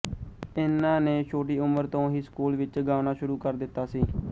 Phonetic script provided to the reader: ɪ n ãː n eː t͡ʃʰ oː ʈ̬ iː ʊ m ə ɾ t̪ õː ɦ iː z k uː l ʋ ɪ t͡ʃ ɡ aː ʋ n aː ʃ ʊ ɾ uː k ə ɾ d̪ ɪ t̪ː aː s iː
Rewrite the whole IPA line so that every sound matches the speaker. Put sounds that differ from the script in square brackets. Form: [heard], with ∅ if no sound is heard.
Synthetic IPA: ɪ n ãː n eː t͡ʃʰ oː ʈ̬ iː ʊ m ə ɾ t̪ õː ɦ iː [s] k uː l ʋ ɪ t͡ʃ ɡ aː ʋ n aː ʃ ʊ ɾ uː k ə ɾ d̪ ɪ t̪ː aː s iː